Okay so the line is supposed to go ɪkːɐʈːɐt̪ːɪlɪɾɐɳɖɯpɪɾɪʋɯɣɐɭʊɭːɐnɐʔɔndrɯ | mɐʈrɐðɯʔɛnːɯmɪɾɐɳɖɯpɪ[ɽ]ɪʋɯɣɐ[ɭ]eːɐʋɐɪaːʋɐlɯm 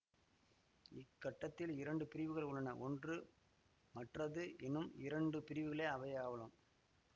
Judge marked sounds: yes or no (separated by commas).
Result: no, yes